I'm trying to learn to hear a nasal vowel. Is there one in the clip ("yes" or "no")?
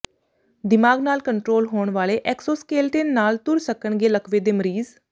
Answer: no